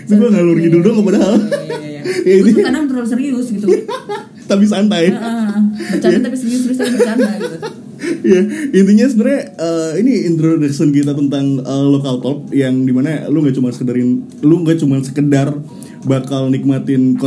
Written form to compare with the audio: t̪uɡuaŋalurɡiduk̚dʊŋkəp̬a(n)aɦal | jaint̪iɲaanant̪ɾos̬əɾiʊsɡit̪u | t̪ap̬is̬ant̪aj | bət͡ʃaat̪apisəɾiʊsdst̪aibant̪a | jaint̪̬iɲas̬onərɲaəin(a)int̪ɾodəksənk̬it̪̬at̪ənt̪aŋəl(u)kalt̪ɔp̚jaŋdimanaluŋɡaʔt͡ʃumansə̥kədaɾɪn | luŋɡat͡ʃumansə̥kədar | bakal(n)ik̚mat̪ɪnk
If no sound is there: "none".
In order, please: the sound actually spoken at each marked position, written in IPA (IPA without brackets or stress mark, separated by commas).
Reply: d, i, o, n